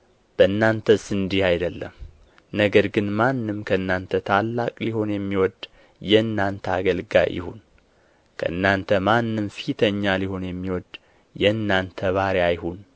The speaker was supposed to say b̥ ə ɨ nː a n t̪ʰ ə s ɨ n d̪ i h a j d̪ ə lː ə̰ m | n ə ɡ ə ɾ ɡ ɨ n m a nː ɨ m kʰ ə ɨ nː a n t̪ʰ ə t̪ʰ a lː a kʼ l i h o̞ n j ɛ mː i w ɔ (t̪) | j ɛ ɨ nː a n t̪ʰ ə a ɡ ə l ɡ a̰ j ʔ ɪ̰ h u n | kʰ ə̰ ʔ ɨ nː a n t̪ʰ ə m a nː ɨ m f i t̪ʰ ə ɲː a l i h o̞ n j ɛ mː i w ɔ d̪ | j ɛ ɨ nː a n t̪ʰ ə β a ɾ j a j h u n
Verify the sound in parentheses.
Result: incorrect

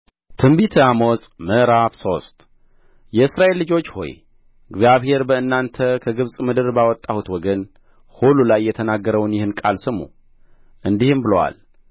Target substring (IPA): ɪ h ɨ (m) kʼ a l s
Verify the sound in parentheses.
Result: incorrect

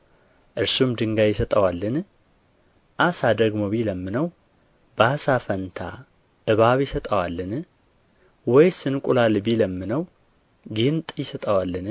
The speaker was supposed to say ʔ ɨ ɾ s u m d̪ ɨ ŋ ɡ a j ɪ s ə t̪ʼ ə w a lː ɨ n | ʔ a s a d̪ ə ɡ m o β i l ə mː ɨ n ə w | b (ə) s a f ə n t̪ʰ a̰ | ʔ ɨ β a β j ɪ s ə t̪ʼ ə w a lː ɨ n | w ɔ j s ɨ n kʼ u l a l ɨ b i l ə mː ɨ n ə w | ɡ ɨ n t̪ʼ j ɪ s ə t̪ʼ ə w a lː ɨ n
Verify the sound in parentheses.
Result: incorrect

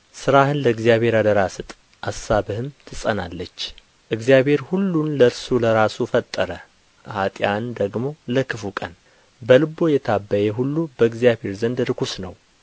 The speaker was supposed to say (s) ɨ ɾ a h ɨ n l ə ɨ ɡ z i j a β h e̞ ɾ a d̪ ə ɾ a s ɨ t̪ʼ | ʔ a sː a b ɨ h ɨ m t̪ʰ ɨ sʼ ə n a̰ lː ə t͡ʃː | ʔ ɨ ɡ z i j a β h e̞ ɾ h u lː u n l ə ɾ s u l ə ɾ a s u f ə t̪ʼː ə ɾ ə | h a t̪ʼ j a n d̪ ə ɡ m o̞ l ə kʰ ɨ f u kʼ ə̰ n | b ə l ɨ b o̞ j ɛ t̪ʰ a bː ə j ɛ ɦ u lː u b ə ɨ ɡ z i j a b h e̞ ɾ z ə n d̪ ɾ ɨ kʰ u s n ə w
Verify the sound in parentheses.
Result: correct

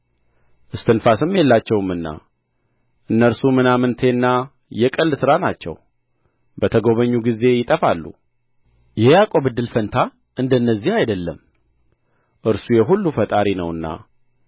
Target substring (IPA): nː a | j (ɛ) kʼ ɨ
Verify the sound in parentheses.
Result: correct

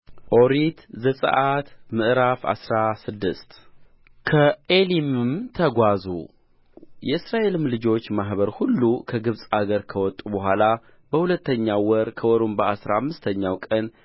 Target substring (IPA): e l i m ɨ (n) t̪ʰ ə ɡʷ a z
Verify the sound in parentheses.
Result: incorrect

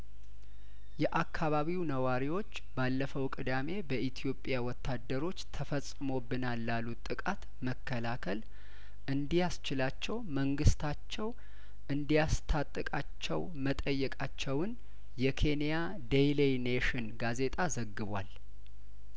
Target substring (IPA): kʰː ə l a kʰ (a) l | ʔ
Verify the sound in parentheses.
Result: incorrect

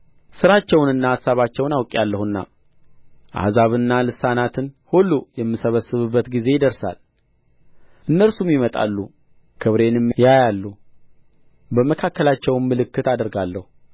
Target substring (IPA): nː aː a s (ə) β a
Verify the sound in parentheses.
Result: incorrect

